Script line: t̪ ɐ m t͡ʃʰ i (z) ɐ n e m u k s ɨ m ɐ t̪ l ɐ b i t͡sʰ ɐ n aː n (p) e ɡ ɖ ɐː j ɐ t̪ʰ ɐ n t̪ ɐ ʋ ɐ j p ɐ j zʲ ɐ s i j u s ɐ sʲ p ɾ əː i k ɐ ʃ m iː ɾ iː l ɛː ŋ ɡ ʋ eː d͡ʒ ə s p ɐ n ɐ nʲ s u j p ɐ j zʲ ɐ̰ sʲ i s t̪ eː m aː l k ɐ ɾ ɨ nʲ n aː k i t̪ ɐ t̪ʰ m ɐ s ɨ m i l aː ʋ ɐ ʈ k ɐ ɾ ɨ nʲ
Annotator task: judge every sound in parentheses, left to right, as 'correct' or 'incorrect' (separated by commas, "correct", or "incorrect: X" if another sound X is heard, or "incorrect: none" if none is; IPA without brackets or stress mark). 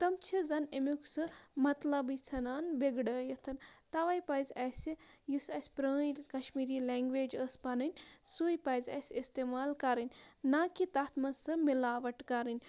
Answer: correct, incorrect: b